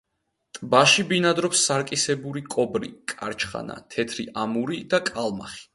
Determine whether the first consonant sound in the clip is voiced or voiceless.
voiceless